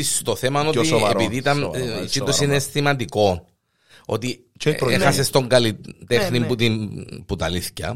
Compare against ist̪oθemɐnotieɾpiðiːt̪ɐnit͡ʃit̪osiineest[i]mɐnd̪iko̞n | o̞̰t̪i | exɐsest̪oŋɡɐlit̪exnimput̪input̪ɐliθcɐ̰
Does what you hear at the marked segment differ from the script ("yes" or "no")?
no